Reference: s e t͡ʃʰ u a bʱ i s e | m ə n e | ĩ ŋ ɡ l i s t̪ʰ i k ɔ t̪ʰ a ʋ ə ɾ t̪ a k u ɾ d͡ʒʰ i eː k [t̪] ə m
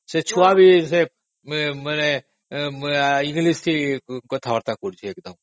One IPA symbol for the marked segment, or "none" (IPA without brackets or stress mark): d̪